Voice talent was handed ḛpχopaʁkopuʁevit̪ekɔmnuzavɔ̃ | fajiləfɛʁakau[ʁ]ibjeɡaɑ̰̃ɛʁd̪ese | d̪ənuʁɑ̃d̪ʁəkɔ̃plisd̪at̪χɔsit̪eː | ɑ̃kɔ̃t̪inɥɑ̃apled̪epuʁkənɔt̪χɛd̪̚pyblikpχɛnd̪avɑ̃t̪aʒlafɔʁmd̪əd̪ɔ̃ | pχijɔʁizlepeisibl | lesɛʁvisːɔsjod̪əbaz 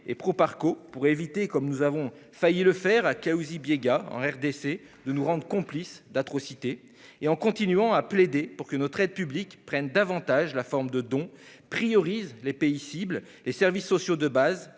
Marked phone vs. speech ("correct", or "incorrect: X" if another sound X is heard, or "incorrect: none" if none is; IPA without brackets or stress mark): incorrect: z